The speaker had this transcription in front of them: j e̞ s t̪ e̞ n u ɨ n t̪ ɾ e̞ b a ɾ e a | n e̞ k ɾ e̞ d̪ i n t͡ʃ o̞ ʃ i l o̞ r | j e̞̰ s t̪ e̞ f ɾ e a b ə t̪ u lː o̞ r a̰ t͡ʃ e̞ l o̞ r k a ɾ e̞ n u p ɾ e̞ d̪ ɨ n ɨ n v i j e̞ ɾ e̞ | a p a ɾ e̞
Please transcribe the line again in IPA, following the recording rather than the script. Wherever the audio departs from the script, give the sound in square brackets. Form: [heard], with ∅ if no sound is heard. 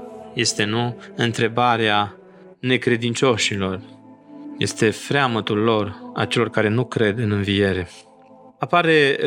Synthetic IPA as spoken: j e̞ s t̪ e̞ n u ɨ n t̪ ɾ e̞ b a ɾ e a | n e̞ k ɾ e̞ d̪ i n t͡ʃ o̞ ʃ i l o̞ r | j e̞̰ s t̪ e̞ f ɾ e a [m] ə t̪ u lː o̞ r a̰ t͡ʃ e̞ l o̞ r k a ɾ e̞ n u [k] ɾ e̞ d̪ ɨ n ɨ n v i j e̞ ɾ e̞ | a p a ɾ e̞